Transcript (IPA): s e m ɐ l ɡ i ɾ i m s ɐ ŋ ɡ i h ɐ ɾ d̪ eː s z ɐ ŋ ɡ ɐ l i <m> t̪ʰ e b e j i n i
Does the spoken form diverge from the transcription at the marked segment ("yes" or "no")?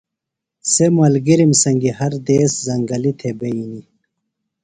yes